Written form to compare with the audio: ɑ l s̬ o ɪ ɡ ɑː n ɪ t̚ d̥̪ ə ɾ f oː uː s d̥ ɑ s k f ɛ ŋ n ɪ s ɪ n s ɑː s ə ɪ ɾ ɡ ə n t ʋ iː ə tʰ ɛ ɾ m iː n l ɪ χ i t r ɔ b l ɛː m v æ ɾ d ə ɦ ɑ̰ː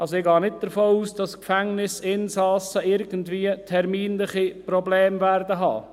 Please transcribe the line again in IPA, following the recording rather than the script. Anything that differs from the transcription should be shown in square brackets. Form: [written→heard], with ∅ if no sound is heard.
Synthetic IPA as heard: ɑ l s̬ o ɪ ɡ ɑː n ɪ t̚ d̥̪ ə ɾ f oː uː s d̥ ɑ s k f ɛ ŋ n ɪ s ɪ n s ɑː s ə ɪ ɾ ɡ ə n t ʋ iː ə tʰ ɛ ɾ m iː n l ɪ χ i [t→p] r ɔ b l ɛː m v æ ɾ d ə ɦ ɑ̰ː